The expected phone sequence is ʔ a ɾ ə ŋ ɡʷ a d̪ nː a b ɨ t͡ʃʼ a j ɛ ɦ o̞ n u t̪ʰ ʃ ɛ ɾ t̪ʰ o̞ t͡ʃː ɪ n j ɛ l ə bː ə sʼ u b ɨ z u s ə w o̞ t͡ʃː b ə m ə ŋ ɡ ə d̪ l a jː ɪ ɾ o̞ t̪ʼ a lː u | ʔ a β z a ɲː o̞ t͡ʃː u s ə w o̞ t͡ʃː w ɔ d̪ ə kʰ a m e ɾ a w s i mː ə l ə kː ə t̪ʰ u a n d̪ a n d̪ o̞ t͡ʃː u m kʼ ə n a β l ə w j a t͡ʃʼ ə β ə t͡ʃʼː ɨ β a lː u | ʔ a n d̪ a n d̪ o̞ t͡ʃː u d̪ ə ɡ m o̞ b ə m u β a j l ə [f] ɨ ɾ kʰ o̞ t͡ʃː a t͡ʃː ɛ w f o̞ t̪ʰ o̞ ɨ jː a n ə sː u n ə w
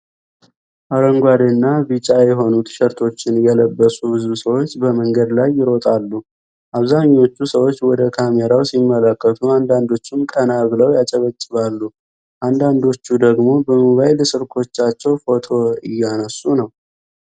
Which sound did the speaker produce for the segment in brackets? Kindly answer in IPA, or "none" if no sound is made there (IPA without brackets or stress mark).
s